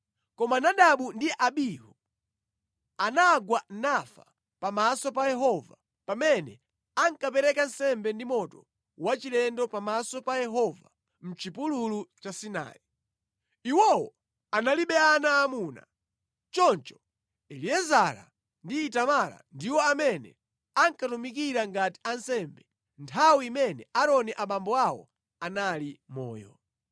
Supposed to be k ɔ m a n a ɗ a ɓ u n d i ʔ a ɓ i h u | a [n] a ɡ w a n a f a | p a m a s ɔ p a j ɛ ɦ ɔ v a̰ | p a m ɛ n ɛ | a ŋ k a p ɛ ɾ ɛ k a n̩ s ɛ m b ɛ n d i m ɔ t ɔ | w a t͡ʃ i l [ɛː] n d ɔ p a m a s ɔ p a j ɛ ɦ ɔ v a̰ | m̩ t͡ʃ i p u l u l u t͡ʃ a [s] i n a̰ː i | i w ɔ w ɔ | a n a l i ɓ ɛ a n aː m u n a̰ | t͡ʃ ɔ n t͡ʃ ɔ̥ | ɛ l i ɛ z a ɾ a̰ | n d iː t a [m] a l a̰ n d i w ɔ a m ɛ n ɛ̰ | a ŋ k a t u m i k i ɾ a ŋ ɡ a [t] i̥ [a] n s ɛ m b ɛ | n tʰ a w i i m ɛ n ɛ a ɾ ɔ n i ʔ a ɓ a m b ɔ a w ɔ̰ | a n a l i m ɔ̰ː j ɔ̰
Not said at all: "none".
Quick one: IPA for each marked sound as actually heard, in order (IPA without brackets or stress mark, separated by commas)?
n, ɛ, s, m, t, a